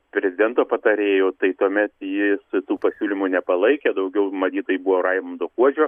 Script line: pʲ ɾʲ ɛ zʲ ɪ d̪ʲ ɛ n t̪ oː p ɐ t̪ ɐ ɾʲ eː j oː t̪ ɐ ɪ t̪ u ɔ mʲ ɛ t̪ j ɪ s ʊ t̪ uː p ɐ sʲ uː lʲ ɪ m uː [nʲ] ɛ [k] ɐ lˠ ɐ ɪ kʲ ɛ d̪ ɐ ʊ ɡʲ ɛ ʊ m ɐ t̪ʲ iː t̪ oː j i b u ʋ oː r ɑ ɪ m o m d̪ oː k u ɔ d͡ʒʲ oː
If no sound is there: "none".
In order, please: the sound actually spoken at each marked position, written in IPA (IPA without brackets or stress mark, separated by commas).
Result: nʲ, p